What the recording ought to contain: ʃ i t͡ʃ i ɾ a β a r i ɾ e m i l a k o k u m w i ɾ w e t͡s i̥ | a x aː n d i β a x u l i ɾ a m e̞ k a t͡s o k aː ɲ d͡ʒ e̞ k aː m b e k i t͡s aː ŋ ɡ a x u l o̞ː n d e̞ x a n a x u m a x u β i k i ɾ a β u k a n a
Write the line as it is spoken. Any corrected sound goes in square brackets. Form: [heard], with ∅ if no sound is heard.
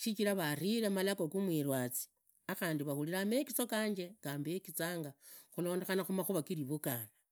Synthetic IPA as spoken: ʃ i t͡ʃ i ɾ a β a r i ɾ e m [a] l a k o k u m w i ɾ w [a] t͡s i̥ | a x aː n d i β a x u l i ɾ a m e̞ k [i] t͡s o k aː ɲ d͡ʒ e̞ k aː m b e k i t͡s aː ŋ ɡ a x u l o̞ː n d e̞ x a n a x u m a x u β [a] k i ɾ [i] β u k a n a

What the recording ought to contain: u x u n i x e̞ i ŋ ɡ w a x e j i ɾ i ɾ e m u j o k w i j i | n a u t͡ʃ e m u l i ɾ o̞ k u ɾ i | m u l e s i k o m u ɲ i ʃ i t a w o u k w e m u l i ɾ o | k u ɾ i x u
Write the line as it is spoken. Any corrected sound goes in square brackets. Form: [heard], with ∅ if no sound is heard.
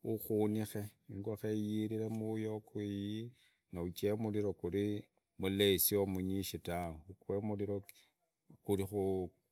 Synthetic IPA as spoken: u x u n i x e̞ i ŋ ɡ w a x e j i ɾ i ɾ e m u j o k w i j i | n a u t͡ʃ e m u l i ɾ o̞ k u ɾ i | m u l e s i [∅] o m u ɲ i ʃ i t a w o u k w e m u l i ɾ o | k u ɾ i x u

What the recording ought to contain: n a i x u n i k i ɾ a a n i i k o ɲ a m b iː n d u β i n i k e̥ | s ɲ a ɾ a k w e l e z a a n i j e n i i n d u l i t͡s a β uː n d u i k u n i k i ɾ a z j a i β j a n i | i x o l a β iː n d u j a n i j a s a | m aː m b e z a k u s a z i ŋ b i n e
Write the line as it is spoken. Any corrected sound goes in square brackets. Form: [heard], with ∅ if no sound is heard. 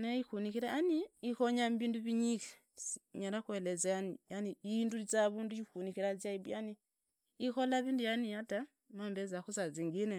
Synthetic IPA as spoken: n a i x u n i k i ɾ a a n i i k o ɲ a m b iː n d u β i [ɲ] i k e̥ | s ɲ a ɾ a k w e l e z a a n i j [a] n i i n d u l i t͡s a β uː n d u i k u n i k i ɾ a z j a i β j a n i | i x o l a β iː n d u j a n i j a [t] a | m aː m b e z a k u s a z i ŋ [ɡ] i n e

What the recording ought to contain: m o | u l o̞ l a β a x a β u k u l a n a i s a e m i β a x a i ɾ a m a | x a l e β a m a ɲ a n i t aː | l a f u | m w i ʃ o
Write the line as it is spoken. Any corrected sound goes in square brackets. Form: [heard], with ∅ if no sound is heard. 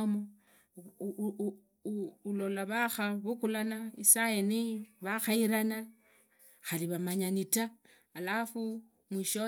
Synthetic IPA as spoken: m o | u l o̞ l a β a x a β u k u l a n a i s a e [n] i β a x a i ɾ a [n] a | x a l [i] β a m a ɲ a n i t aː | l a f u | m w i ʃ o

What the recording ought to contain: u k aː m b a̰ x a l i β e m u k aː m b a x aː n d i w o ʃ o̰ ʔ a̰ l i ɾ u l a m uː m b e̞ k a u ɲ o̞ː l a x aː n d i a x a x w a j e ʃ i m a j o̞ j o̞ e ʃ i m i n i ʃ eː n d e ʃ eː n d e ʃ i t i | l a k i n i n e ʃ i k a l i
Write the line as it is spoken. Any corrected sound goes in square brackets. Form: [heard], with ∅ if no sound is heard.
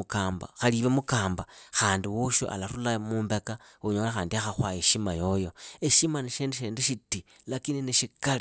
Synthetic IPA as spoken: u k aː m b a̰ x a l i β e m u k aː m b a x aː n d i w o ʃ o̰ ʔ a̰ l [a] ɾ u l a m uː m b e̞ k a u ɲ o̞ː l a x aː n d i a x a x w a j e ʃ i m a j o̞ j o̞ e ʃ i m [a] n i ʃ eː n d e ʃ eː n d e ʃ i t i | l a k i n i n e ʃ i k a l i

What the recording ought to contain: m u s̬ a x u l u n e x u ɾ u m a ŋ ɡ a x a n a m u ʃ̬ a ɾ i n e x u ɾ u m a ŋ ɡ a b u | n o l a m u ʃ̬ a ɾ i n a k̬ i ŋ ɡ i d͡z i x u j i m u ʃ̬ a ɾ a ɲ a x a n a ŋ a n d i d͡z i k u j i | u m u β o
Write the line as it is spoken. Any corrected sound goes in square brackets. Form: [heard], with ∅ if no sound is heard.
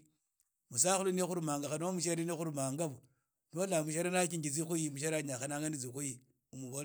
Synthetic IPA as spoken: m u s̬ a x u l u n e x u ɾ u m a ŋ ɡ a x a n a m u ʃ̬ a ɾ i n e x u ɾ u m a ŋ ɡ a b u | n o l a m u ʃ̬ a ɾ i n a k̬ i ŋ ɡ i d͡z i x u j i m u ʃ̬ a ɾ a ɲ a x a n a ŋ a n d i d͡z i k u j i | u m u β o

